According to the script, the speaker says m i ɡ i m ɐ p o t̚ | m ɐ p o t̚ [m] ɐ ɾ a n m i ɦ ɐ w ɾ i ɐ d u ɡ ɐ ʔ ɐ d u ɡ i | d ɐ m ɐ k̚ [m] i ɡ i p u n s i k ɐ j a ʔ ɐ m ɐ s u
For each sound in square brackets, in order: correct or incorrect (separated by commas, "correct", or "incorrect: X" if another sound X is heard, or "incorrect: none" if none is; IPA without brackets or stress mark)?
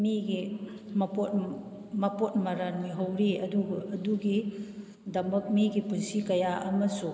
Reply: correct, correct